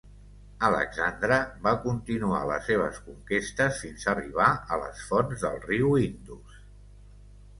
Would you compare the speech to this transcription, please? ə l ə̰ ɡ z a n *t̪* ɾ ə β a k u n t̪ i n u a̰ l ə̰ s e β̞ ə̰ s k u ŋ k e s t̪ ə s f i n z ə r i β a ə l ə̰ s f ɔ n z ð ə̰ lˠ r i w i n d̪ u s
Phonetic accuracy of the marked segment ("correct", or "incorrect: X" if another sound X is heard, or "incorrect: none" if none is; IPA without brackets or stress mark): incorrect: d̪